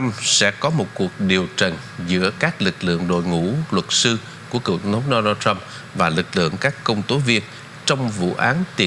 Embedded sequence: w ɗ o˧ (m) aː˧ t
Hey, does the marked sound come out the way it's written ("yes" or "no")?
no